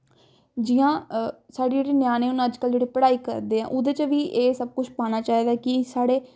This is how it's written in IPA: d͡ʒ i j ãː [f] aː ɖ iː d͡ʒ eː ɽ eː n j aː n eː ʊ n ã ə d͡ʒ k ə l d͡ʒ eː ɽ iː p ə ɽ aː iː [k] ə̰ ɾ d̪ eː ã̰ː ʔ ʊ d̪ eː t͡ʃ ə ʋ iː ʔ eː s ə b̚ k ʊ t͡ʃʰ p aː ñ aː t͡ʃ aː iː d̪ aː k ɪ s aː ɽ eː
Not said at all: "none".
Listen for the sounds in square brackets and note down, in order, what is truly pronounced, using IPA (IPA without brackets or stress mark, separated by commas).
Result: s, k